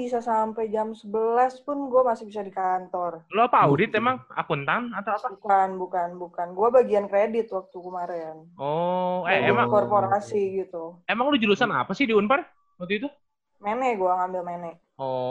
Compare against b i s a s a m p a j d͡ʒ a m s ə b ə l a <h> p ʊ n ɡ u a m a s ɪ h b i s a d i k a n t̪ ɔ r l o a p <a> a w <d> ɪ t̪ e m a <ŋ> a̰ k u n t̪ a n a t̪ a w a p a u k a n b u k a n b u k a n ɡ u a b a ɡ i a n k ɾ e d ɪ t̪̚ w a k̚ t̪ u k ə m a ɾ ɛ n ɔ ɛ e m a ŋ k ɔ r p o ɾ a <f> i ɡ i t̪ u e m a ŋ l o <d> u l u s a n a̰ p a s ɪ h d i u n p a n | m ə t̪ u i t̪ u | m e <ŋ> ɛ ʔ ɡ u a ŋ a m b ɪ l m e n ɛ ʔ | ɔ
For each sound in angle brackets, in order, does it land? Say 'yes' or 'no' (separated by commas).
no, yes, yes, yes, no, no, no